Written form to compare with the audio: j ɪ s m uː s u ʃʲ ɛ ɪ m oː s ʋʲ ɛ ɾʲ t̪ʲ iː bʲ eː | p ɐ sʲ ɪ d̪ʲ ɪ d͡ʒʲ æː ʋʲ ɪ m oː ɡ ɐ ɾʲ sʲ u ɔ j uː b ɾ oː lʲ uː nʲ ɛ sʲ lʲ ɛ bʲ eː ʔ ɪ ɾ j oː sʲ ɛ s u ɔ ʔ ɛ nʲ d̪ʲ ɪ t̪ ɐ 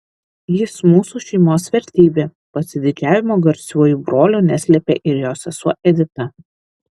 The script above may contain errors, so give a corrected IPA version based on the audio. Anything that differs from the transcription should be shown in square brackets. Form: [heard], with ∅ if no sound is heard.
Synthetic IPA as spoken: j ɪ s m uː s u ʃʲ ɛ ɪ m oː s ʋʲ ɛ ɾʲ t̪ʲ iː bʲ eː | p ɐ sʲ ɪ d̪ʲ ɪ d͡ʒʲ æː ʋʲ ɪ m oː ɡ ɐ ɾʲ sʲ u ɔ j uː b ɾ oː lʲ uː nʲ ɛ sʲ lʲ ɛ [pʲ] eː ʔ ɪ ɾ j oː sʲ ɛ s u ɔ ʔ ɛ [∅] d̪ʲ ɪ t̪ ɐ